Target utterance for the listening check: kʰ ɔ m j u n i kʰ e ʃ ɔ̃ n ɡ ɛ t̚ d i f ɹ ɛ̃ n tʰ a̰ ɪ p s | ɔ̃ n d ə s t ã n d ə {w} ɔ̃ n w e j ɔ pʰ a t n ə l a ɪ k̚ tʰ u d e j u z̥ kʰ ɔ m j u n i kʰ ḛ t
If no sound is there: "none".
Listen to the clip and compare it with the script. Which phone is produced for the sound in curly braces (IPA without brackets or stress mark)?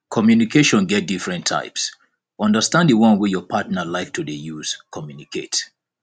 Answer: w